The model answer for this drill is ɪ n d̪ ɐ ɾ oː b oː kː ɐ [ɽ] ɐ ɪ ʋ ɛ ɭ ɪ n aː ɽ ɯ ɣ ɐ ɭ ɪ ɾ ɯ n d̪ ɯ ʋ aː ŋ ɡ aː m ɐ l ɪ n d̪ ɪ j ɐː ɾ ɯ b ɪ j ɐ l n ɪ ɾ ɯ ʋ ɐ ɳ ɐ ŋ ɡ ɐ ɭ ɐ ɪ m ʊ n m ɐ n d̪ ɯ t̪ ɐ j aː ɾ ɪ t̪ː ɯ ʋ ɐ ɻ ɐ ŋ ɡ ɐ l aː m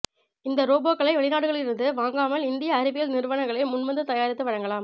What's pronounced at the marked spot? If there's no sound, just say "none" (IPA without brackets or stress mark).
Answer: ɭ